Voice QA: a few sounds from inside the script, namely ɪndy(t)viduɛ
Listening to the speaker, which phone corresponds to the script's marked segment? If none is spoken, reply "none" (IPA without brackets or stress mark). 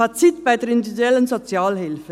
none